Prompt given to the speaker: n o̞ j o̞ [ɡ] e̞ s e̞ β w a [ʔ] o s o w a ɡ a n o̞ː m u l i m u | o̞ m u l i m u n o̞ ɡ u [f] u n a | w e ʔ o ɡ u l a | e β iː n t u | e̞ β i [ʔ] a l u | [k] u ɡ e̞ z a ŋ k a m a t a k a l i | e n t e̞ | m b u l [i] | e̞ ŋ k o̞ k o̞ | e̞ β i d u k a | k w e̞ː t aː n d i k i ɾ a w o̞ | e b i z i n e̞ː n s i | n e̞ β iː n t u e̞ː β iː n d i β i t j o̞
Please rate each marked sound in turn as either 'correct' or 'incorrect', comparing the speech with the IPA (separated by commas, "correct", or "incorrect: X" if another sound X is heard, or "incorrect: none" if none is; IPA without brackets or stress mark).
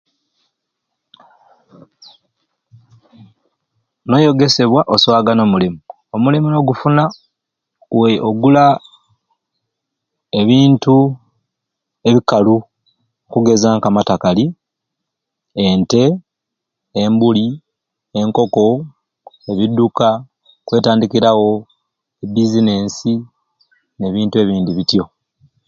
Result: correct, correct, correct, incorrect: k, correct, correct